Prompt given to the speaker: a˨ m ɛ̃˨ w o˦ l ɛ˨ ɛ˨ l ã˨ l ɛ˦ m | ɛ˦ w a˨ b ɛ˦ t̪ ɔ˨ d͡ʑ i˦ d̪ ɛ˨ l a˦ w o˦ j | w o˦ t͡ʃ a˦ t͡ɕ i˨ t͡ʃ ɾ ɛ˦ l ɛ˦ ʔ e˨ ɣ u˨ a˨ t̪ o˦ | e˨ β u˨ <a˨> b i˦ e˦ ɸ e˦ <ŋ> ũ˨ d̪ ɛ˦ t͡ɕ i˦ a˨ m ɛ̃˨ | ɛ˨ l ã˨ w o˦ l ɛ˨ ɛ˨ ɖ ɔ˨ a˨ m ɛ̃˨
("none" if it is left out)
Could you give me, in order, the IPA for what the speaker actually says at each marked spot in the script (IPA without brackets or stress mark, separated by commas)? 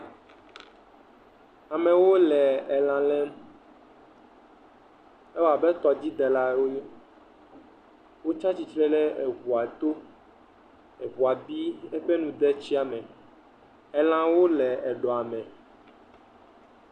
a˨, n